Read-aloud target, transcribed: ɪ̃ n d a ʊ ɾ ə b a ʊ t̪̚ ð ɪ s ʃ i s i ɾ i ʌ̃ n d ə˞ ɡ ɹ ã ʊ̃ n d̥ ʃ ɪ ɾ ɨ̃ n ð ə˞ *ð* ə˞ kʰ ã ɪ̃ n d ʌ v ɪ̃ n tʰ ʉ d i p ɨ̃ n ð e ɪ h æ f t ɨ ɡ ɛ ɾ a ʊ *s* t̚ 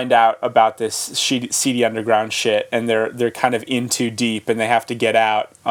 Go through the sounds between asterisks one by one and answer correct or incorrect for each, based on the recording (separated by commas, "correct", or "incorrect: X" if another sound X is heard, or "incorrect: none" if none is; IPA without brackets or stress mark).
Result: correct, incorrect: none